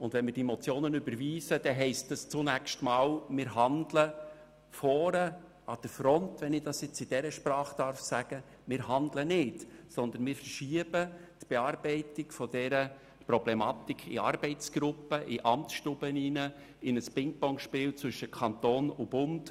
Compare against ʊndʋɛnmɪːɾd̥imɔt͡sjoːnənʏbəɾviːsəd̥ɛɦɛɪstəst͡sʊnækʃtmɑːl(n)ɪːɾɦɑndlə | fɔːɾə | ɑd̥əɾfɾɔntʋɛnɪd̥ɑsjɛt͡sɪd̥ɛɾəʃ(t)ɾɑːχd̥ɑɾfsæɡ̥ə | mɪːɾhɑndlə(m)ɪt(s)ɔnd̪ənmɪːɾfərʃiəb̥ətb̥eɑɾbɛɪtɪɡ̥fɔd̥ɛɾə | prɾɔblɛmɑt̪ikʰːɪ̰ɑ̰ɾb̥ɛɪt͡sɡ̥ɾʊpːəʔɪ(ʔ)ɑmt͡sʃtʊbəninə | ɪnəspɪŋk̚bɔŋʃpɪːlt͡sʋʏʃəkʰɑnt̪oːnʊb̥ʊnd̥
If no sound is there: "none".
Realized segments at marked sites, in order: m, p, n, s, ʔ

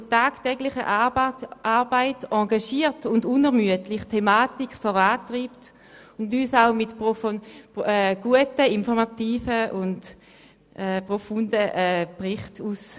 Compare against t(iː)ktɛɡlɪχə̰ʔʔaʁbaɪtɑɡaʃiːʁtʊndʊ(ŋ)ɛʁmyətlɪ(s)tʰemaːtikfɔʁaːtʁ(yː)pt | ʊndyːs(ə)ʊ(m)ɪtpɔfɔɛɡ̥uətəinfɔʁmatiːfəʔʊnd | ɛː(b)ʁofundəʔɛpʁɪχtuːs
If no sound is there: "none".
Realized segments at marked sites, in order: aː, n, χ, iː, a, m, p

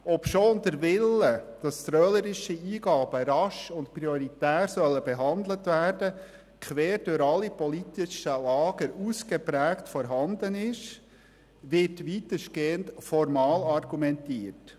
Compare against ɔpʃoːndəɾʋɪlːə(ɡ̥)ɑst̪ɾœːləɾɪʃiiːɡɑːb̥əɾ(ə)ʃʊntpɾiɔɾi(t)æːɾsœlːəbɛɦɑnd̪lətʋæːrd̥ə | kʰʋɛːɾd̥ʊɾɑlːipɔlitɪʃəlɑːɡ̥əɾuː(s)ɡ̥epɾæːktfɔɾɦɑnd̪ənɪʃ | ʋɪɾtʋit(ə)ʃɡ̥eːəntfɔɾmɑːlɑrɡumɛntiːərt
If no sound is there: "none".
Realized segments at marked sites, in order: d̥, ɑ, t, s, ə

